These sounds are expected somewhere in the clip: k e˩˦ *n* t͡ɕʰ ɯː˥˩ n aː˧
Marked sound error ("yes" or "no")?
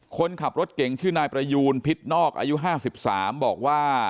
yes